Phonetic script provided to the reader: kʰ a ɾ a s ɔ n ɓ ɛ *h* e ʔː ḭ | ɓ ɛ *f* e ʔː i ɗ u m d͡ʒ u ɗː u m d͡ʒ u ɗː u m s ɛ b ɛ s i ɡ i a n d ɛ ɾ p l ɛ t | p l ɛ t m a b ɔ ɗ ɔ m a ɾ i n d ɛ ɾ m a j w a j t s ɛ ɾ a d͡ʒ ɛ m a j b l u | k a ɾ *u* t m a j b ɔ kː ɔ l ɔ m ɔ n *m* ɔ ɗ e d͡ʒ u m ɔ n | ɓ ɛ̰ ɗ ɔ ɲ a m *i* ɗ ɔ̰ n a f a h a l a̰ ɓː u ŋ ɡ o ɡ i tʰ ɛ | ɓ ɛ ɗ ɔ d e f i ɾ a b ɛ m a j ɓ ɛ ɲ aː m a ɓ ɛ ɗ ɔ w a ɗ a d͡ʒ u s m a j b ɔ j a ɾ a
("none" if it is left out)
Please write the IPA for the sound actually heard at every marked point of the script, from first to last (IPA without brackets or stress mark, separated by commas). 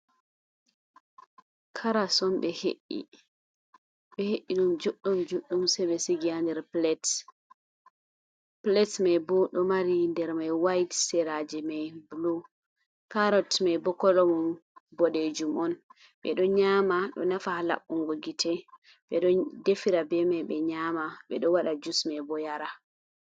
h, h, ɔ, b, a